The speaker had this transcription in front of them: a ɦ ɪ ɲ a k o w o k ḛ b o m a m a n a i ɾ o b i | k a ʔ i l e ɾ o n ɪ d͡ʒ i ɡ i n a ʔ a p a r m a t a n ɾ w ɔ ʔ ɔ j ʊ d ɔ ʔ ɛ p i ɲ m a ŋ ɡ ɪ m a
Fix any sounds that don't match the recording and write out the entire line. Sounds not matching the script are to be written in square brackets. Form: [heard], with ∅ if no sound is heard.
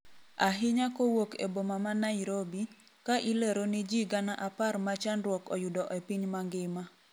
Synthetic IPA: a ɦ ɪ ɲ a k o w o k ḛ b o m a m a n a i ɾ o b i | k a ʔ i l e ɾ o n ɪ d͡ʒ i ɡ [a] n a ʔ a p a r m a [t͡ʃ] a n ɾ w ɔ [k] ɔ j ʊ d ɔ ʔ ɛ p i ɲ m a ŋ ɡ ɪ m a